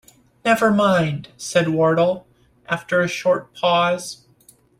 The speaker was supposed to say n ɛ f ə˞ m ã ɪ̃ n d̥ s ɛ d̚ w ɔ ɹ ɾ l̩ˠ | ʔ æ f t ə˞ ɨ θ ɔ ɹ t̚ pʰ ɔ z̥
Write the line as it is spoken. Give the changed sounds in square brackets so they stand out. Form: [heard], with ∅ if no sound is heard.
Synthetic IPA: n ɛ [v] ə˞ m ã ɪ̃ n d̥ s ɛ d̚ w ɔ ɹ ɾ l̩ˠ | ʔ æ f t ə˞ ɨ [ʃ] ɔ ɹ t̚ pʰ ɔ z̥